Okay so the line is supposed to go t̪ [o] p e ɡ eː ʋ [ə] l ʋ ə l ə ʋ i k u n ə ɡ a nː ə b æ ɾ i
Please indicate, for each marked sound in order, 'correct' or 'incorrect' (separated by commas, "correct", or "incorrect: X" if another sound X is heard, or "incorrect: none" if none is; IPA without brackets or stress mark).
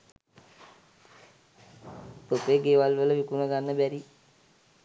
correct, incorrect: a